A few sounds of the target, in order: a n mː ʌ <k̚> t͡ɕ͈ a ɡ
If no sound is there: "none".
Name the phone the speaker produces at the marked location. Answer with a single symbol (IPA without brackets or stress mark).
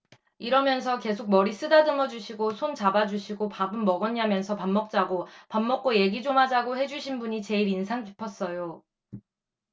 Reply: k̚